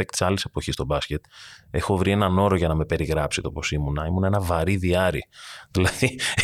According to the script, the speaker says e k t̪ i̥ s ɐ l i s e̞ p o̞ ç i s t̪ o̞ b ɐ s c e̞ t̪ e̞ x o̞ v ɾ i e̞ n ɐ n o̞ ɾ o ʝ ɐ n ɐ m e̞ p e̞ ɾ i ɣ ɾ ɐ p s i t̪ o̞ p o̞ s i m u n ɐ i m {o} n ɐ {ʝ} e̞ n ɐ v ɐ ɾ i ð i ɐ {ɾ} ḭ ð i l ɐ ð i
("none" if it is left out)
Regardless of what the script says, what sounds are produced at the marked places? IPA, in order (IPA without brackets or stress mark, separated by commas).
u, none, ɾ